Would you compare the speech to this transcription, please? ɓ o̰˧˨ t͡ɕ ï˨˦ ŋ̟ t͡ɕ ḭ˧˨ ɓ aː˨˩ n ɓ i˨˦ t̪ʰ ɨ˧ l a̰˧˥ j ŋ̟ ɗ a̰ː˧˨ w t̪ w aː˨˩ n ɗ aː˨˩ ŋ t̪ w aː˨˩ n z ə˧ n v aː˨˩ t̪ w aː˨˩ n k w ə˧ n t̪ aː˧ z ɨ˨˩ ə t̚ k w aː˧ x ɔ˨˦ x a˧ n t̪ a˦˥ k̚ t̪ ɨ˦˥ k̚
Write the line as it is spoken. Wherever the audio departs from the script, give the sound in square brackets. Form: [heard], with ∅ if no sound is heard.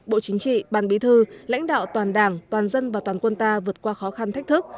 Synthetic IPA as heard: ɓ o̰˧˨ t͡ɕ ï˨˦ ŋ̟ t͡ɕ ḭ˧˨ ɓ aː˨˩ n ɓ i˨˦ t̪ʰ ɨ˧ l a̰˧˥ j ŋ̟ ɗ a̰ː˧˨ w t̪ w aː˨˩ n ɗ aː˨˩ ŋ t̪ w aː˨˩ n z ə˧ n v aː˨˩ t̪ w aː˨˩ n k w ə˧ n t̪ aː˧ [v] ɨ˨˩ ə t̚ k w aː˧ x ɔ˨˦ x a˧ n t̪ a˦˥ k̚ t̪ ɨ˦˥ k̚